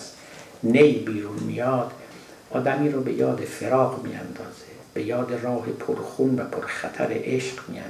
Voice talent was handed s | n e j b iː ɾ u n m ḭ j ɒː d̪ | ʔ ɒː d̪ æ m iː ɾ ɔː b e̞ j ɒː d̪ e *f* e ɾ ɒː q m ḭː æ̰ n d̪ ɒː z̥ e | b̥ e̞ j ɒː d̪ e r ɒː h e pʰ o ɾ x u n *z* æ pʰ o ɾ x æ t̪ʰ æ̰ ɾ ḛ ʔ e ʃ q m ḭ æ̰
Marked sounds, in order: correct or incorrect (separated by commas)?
correct, incorrect